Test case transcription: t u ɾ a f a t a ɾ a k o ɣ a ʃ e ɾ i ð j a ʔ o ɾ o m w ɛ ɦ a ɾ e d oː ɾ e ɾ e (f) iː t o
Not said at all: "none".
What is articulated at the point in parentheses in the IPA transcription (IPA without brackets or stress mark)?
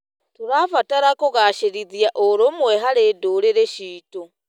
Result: ʃ